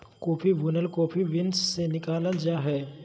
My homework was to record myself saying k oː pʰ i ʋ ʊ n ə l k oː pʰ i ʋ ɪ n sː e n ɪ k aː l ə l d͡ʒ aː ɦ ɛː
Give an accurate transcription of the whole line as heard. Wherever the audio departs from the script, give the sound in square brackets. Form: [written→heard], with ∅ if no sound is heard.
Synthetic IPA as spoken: k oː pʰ i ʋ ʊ n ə l k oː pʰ i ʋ ɪ n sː e n ɪ k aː l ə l d͡ʒ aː ɦ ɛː